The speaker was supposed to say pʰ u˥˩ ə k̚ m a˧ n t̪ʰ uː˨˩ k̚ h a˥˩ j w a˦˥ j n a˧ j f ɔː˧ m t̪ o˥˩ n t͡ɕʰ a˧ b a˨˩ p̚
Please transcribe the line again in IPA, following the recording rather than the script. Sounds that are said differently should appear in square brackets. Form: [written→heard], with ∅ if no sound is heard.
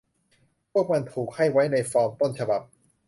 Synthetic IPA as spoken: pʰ u˥˩ ə k̚ m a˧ n t̪ʰ uː˨˩ k̚ h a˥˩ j w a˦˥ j n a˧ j f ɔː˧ m t̪ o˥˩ n t͡ɕʰ a˧ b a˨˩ p̚

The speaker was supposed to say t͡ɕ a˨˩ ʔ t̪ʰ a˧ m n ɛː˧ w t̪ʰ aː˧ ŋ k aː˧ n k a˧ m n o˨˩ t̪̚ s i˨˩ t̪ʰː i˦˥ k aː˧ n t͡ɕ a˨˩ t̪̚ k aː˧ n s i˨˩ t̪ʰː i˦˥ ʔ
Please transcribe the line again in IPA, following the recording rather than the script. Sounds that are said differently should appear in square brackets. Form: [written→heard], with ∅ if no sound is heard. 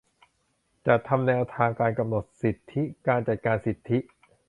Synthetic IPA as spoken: t͡ɕ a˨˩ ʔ t̪ʰ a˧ m n ɛː˧ w t̪ʰ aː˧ ŋ k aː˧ n k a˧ m n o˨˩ t̪̚ s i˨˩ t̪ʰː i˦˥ k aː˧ n t͡ɕ a˨˩ t̪̚ k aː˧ n s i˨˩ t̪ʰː i˦˥ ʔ

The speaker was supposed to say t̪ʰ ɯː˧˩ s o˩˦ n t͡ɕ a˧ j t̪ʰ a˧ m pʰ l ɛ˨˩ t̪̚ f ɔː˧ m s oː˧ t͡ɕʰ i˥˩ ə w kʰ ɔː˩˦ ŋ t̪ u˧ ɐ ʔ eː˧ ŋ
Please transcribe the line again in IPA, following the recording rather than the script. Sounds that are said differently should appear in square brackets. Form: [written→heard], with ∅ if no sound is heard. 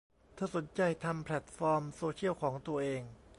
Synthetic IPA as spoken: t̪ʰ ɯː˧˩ s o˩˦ n t͡ɕ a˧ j t̪ʰ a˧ m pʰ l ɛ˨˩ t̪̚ f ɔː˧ m s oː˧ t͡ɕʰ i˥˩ ə w kʰ ɔː˩˦ ŋ t̪ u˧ ɐ ʔ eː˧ ŋ

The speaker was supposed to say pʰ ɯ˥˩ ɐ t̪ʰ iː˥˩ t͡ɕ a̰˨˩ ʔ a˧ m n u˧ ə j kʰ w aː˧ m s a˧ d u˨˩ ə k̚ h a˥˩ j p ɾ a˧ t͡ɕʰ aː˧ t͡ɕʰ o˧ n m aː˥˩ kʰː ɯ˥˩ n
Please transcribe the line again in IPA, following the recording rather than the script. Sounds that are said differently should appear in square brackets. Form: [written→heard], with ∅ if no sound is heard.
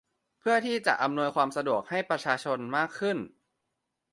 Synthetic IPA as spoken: pʰ ɯ˥˩ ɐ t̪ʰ iː˥˩ t͡ɕ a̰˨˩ ʔ a˧ m n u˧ ə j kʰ w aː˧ m s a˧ d u˨˩ ə k̚ h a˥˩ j p ɾ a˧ t͡ɕʰ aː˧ t͡ɕʰ o˧ n m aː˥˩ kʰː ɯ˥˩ n

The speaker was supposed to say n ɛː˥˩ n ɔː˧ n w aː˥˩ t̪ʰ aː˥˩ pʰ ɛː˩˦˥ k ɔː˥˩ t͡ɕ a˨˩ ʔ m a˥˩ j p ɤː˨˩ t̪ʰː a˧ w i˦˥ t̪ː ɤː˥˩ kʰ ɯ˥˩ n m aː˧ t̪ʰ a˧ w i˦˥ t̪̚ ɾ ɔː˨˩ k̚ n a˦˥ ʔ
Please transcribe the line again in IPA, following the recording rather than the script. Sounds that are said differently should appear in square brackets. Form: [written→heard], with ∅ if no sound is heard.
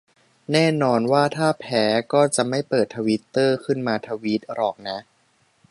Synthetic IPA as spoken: n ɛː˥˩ n ɔː˧ n w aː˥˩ t̪ʰ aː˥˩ pʰ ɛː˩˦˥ k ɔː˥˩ t͡ɕ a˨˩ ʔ m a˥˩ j p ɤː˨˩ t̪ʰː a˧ w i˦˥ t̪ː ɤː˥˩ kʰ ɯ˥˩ n m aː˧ t̪ʰ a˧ w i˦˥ t̪̚ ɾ ɔː˨˩ k̚ n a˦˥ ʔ

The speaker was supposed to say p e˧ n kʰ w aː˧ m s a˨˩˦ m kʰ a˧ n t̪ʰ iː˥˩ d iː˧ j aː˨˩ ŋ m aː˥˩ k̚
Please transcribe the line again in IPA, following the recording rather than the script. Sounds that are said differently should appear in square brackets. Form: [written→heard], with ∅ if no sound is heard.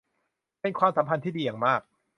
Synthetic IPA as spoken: p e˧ n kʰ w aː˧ m s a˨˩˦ m [kʰ→pʰ] a˧ n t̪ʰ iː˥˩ d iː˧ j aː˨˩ ŋ m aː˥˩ k̚

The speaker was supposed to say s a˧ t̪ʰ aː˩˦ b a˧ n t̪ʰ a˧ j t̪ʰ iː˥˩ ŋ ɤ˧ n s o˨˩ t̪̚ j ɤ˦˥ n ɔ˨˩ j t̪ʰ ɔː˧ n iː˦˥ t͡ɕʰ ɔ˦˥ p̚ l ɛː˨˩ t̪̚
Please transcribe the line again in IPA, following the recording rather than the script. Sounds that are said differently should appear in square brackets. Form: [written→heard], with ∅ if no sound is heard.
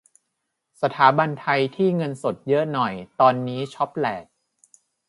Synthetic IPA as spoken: s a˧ t̪ʰ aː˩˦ b a˧ n t̪ʰ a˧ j t̪ʰ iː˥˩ ŋ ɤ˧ n s o˨˩ t̪̚ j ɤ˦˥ n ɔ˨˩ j [t̪ʰ→t̪] ɔː˧ [n→nː] iː˦˥ t͡ɕʰ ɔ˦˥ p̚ l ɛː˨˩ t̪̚

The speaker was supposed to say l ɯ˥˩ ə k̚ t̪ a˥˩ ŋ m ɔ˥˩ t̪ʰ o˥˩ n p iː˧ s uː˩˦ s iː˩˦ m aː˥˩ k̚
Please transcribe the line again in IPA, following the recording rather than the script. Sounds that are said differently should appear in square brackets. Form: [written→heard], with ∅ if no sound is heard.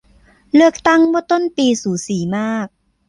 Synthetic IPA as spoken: l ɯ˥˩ ə k̚ t̪ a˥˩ ŋ m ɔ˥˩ [t̪ʰ→t̪] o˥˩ n p iː˧ s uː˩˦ s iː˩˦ m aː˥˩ k̚

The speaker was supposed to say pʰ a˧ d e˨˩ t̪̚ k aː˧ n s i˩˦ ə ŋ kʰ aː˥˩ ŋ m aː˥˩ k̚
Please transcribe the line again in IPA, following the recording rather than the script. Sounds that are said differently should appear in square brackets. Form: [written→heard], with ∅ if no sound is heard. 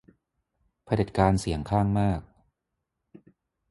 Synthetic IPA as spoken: pʰ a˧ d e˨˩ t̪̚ k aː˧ n s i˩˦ ə ŋ kʰ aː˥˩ ŋ m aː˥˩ k̚

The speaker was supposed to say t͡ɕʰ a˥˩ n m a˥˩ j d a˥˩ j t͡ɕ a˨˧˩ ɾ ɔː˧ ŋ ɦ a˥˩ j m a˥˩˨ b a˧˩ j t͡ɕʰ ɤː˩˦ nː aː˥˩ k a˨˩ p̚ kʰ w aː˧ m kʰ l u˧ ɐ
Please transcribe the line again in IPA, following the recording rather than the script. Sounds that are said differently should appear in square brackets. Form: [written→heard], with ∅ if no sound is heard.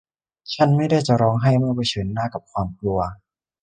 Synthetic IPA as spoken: t͡ɕʰ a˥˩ n m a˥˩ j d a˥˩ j t͡ɕ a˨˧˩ ɾ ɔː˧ ŋ ɦ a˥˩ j m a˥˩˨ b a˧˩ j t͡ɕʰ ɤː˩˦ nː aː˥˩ k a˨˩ p̚ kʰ w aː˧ m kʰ l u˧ ɐ

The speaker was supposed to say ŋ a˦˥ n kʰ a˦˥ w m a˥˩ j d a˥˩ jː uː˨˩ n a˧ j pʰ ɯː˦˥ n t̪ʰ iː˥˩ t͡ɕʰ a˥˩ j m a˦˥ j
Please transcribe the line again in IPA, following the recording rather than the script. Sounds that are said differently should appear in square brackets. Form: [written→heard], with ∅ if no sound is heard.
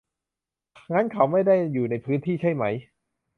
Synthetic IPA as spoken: ŋ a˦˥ n kʰ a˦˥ w m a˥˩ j d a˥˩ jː uː˨˩ n a˧ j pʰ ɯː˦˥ n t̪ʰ iː˥˩ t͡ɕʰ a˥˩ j m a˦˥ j

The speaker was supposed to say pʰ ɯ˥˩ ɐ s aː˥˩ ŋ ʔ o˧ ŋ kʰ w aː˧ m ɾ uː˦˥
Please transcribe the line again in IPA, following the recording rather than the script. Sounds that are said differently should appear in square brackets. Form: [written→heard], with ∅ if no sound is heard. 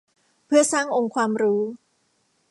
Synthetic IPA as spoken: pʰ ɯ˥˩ ɐ s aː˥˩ ŋ ʔ o˧ ŋ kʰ w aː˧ m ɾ uː˦˥

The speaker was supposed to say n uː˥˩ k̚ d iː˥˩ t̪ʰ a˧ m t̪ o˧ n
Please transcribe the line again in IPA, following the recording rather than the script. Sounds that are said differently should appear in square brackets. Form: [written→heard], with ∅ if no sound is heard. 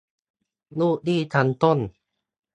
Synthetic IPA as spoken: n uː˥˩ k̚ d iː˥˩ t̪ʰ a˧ [m→n] t̪ [o˧→o˥˩˨] n

